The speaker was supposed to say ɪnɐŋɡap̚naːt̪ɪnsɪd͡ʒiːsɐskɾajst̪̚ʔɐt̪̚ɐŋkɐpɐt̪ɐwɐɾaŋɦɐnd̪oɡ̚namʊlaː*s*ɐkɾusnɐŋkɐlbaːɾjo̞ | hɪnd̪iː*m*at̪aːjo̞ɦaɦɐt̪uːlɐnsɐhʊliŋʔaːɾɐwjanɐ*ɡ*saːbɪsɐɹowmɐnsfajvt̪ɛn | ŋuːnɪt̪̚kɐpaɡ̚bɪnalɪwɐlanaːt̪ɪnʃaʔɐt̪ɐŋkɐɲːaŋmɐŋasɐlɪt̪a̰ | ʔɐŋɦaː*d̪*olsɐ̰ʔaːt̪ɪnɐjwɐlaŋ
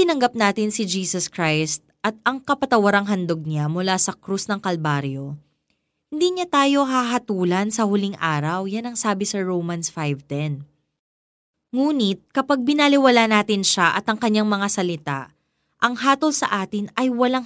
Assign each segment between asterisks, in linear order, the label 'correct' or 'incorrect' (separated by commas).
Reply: correct, incorrect, incorrect, incorrect